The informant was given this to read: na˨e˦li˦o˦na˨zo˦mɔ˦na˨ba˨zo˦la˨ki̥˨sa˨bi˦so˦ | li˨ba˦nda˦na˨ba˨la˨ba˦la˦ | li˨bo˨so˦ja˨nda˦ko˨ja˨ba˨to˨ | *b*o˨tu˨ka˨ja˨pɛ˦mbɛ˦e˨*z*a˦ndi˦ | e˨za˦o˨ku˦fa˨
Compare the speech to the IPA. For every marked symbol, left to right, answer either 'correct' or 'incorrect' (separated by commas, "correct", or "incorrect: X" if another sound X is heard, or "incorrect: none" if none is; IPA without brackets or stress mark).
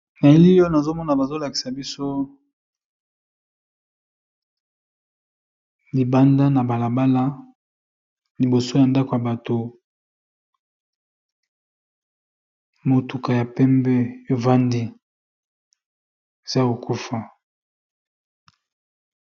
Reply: incorrect: m, incorrect: v